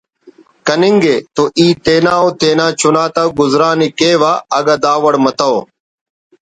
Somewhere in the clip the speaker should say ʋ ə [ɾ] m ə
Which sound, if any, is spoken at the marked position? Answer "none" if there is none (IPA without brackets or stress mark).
ɽ